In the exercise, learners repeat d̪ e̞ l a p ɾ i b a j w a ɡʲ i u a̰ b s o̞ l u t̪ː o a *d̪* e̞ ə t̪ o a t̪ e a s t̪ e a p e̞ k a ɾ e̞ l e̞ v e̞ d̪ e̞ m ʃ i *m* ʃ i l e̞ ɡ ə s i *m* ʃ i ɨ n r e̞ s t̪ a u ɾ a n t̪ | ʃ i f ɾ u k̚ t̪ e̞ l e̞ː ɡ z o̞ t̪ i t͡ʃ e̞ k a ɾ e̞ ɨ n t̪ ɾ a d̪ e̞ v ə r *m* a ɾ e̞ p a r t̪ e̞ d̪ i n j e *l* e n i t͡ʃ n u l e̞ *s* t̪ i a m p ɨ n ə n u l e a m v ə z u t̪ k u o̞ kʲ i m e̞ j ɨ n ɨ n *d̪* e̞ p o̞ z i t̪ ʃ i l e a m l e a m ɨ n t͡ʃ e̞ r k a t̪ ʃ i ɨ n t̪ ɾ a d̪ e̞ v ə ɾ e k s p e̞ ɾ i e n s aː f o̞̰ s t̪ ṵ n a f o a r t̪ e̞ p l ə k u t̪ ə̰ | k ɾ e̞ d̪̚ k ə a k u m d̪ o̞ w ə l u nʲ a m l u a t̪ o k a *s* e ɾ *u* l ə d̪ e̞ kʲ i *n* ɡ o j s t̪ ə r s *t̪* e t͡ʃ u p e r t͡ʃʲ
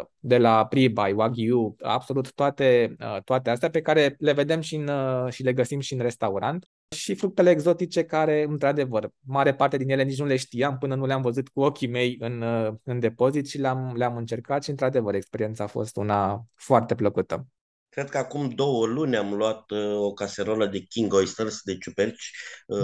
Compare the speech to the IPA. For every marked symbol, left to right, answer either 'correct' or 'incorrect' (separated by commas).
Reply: incorrect, incorrect, correct, correct, correct, incorrect, correct, correct, incorrect, incorrect, incorrect